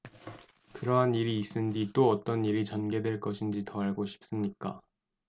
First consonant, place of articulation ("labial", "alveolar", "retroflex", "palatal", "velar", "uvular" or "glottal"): velar